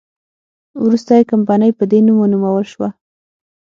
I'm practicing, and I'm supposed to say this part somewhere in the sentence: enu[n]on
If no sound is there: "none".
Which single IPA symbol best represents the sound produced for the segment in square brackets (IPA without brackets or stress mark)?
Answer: m